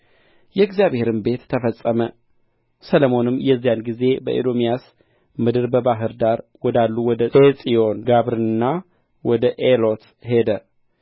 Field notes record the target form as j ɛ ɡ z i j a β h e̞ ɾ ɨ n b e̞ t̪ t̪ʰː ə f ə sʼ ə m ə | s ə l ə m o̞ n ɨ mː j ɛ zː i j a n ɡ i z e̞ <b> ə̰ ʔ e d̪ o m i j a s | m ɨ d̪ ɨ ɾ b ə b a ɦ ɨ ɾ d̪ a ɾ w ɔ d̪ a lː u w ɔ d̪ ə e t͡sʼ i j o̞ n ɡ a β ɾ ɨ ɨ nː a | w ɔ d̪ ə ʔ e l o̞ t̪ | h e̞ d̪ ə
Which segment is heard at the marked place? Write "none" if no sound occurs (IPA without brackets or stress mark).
b